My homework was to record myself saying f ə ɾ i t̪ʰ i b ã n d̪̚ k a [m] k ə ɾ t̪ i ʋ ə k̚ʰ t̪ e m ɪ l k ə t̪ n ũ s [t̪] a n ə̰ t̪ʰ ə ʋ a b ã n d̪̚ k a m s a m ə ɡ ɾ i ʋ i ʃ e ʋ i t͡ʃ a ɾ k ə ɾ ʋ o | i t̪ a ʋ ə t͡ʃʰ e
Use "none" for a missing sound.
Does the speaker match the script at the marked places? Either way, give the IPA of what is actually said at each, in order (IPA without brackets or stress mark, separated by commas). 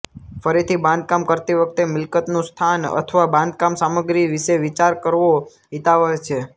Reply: m, t̪ʰ